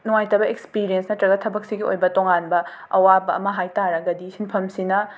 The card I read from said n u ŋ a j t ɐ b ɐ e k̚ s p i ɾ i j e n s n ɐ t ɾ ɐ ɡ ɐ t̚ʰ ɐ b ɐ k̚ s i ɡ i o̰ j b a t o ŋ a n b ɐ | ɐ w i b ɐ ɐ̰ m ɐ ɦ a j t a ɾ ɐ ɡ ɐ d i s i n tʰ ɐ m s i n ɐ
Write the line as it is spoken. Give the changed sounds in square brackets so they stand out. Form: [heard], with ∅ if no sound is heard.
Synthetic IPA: n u ŋ a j t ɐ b ɐ e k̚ s p i ɾ i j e n s n ɐ t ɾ ɐ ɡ ɐ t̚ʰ ɐ b ɐ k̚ s i ɡ i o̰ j b [ɐ] t o ŋ a n b ɐ | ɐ w [a] b ɐ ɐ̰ m ɐ ɦ a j t a ɾ ɐ ɡ ɐ d i s i n [pʰ] ɐ m s i n ɐ